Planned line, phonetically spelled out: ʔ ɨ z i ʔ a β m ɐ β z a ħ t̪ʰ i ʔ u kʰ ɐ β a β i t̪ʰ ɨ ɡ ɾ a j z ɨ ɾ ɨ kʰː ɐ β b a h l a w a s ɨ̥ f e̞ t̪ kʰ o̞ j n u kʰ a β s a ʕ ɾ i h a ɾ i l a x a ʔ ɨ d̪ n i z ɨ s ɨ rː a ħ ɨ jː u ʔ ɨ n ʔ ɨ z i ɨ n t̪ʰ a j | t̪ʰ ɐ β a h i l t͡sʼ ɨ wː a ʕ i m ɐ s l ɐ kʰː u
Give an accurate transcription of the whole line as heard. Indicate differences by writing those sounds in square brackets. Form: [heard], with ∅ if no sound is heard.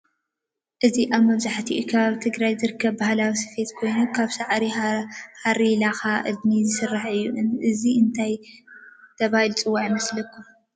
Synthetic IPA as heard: ʔ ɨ z i ʔ a β m ɐ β z a ħ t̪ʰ i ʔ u kʰ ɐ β a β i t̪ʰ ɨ ɡ ɾ a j z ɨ ɾ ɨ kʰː ɐ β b a h l a w [i] s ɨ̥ f e̞ t̪ kʰ o̞ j n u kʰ a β s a ʕ ɾ i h a ɾ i l a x a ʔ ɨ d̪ n i z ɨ s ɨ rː a ħ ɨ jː u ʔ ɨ n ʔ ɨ z i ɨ n t̪ʰ a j | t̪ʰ ɐ β a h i l t͡sʼ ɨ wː a ʕ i m ɐ s l ɐ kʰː u